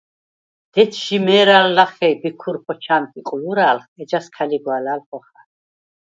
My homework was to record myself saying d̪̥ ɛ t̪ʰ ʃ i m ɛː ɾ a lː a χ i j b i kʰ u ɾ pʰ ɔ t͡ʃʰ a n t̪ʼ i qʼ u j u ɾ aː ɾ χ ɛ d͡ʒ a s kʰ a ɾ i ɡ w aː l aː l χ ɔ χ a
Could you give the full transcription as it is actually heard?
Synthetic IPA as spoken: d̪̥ ɛ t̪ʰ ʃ i m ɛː ɾ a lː a χ ɛ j b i kʰ u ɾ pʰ ɔ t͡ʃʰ a n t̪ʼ i qʼ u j u ɾ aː l χ ɛ d͡ʒ a s kʰ a l i ɡ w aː l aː l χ ɔ χ a